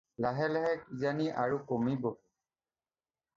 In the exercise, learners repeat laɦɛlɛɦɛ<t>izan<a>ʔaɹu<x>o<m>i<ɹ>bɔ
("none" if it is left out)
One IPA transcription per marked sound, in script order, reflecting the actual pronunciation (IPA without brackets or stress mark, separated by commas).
k, i, k, m, none